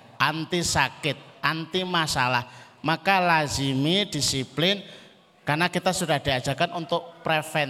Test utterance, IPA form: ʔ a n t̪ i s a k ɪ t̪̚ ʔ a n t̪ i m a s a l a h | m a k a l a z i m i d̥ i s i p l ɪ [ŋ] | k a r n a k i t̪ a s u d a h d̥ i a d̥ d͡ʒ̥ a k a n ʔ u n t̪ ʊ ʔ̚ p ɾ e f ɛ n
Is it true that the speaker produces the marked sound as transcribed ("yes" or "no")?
no